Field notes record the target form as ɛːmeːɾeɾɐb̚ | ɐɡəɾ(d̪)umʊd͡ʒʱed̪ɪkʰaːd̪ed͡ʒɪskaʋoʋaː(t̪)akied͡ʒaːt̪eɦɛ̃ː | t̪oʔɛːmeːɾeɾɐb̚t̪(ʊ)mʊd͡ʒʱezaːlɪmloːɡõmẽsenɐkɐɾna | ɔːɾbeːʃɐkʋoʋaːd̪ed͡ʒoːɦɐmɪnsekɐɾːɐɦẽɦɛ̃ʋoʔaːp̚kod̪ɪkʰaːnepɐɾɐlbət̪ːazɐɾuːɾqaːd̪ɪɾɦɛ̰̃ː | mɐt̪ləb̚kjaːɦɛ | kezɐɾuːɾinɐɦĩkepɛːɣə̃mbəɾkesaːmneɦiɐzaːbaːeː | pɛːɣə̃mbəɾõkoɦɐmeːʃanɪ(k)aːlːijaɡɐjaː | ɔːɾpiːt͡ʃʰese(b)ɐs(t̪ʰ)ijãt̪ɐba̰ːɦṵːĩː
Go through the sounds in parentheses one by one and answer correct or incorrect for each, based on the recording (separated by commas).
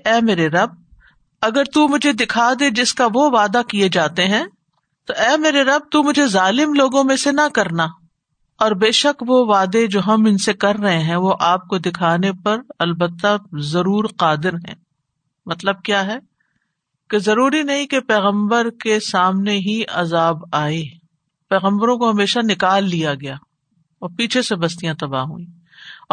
incorrect, incorrect, incorrect, correct, correct, incorrect